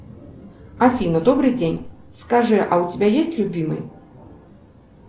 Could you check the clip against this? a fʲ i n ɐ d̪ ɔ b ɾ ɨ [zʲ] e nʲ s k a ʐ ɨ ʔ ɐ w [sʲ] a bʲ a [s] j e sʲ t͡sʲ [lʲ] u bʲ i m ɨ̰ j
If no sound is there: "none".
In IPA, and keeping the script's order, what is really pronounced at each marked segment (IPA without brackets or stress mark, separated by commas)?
d͡zʲ, t͡sʲ, none, lʲ